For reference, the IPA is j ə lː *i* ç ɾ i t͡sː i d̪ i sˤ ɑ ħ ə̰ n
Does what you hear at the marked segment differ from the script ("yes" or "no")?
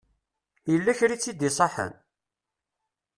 yes